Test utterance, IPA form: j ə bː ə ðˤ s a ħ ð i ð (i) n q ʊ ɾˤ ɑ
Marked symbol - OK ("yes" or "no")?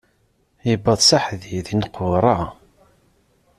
yes